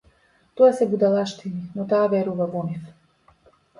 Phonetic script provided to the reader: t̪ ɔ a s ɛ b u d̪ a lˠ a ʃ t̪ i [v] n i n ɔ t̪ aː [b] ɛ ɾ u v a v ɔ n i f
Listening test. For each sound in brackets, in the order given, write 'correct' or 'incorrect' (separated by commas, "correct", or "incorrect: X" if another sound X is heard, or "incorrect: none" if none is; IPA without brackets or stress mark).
incorrect: none, incorrect: v